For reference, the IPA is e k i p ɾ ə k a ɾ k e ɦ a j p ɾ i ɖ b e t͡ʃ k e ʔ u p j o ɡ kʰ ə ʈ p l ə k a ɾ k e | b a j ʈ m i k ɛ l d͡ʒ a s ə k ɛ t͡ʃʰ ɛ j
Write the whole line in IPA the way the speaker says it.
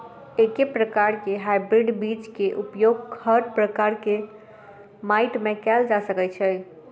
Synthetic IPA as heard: e k e p ɾ ə k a ɾ k e ɦ a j b ɾ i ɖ b i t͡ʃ k e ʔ u p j o ɡ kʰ ə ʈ p ɾ ə k a ɾ k e | m a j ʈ m e k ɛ l d͡ʒ a s ə k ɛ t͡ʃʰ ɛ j